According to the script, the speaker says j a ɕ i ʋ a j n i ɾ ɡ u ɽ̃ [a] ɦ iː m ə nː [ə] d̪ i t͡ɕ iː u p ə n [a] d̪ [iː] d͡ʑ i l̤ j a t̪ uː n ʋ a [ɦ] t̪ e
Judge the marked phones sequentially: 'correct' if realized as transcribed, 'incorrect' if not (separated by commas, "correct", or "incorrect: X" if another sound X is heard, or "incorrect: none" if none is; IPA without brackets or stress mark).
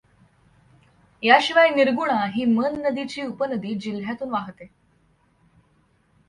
correct, correct, incorrect: ə, correct, correct